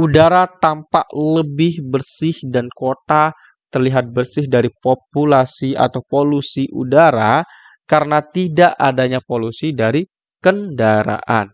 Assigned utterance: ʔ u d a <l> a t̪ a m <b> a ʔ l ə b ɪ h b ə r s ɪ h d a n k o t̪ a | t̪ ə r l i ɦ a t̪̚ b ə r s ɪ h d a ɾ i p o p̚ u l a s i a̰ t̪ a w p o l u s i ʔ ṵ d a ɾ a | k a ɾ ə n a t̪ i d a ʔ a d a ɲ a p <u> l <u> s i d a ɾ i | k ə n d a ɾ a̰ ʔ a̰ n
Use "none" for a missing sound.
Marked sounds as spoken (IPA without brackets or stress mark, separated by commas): ɾ, p, o, u